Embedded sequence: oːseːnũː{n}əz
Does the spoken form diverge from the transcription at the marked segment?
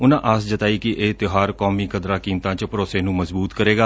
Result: yes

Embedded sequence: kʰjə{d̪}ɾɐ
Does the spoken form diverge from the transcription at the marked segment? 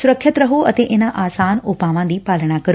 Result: yes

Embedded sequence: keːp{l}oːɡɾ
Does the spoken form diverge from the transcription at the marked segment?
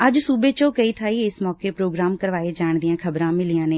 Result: yes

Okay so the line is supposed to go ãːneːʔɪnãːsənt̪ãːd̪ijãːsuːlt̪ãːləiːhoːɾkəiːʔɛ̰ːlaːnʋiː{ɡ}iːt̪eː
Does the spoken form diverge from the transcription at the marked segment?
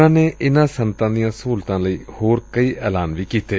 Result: yes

